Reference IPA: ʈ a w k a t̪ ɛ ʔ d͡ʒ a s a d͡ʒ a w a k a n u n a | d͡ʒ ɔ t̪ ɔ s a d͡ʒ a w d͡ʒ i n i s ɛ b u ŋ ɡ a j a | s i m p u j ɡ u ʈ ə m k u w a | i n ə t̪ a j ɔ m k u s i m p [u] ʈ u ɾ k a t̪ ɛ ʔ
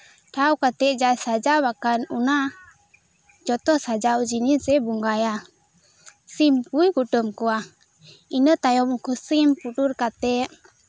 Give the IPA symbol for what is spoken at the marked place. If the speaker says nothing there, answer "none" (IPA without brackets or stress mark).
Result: u